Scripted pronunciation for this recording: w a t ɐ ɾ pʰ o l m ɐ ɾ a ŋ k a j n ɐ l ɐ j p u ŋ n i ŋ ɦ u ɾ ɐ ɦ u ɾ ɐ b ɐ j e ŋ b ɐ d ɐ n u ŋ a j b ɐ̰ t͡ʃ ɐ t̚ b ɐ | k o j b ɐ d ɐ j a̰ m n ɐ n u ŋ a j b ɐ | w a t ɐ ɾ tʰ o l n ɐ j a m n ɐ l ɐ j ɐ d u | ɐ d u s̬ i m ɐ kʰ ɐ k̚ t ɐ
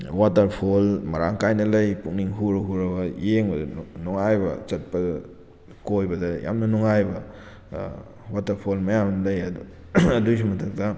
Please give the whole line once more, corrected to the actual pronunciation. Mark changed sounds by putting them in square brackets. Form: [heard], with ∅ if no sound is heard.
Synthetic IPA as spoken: w a t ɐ ɾ pʰ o l m ɐ ɾ a ŋ k a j n ɐ l ɐ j p u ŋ n i ŋ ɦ u ɾ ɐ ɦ u ɾ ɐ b ɐ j e ŋ b ɐ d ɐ n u ŋ a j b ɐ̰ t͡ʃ ɐ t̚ [p] ɐ | k o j b ɐ d ɐ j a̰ m n ɐ n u ŋ a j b ɐ | w a t ɐ ɾ [pʰ] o l [m] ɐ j a m n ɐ l ɐ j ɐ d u | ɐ d u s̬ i m ɐ [tʰ] ɐ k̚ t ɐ